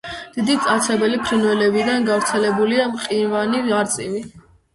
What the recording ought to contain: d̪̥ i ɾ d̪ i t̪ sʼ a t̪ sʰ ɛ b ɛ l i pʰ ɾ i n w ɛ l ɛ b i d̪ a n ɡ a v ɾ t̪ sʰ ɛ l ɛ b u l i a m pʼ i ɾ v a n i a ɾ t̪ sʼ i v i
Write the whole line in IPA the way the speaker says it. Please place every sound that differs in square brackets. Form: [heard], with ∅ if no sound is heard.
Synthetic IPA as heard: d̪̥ i [∅] d̪ i t̪ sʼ a t̪ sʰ ɛ b ɛ l i pʰ ɾ i n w ɛ l ɛ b i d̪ a n ɡ a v ɾ t̪ sʰ ɛ l ɛ b u l i a m [qʼ] i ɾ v a n i a ɾ t̪ sʼ i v i